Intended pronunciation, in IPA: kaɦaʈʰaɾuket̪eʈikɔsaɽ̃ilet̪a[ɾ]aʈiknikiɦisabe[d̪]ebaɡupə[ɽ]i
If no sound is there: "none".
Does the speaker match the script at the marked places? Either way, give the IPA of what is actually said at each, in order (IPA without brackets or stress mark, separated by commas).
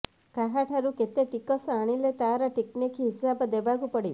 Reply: ɾ, d̪, ɽ